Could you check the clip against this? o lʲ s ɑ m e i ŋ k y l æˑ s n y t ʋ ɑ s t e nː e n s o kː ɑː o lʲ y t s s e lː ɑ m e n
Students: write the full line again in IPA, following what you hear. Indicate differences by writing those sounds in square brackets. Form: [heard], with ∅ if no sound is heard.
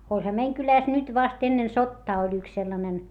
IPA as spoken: o lʲ [h] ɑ m e i ŋ k y l æˑ s n y t ʋ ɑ s t e nː e n s o [tː] ɑː o lʲ y [k] s s e lː ɑ [n] e n